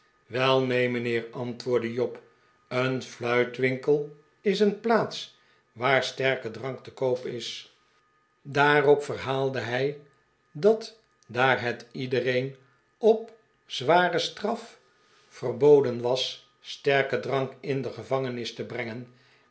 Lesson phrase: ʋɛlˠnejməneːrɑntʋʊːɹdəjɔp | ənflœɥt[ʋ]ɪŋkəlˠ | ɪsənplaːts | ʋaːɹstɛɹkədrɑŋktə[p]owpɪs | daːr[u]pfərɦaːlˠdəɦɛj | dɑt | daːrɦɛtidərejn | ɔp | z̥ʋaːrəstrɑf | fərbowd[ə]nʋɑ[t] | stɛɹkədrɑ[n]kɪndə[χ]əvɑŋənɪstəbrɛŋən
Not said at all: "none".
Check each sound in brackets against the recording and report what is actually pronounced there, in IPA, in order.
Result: ʋ, k, ɔ, ə, s, ŋ, χ

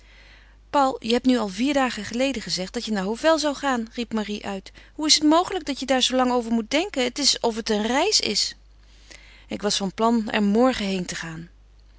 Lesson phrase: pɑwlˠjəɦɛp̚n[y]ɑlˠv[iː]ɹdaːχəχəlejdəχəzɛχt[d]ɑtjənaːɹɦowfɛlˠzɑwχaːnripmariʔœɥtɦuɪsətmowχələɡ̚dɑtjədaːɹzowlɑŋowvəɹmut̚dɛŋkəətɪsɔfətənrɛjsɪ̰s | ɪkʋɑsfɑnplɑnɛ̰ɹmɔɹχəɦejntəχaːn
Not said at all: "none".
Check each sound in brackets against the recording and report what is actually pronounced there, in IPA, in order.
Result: y, iː, d

